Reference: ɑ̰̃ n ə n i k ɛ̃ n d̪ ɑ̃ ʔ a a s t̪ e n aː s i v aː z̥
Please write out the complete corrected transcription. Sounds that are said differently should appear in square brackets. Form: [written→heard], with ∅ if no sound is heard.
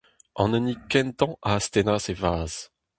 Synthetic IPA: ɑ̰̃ n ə n i k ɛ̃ n [d̪→t̪] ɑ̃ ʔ a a s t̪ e n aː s [i→e] v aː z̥